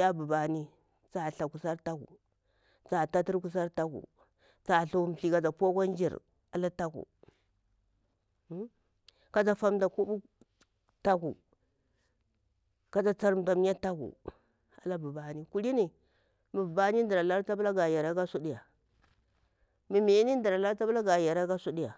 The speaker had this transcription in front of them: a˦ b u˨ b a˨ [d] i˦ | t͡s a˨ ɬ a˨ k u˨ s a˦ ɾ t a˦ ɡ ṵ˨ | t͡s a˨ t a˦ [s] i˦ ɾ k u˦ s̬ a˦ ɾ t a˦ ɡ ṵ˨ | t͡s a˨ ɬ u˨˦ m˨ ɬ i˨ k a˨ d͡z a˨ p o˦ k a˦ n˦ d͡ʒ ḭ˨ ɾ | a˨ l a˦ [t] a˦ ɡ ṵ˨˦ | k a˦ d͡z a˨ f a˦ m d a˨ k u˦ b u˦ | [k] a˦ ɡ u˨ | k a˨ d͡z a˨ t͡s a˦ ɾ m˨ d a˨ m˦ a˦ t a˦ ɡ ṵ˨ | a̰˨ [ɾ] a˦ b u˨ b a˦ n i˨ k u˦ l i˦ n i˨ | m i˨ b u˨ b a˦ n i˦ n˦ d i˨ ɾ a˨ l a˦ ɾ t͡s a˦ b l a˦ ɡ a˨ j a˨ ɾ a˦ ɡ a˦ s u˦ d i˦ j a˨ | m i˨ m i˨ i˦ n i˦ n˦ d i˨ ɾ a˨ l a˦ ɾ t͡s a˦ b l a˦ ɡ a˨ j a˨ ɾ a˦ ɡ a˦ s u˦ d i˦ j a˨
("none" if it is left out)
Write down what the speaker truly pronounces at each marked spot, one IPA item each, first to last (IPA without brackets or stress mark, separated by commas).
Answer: n, t, t, t, l